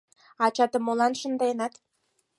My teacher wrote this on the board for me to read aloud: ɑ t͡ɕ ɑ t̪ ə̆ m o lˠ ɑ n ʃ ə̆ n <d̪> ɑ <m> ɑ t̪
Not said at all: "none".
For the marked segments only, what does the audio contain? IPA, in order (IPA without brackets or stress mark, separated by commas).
d̪, n